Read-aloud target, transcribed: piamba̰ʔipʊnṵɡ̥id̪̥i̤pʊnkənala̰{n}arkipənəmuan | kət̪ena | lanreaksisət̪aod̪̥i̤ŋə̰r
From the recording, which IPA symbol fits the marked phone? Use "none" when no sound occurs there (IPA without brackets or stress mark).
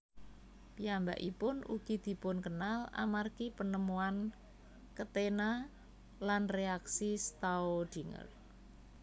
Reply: m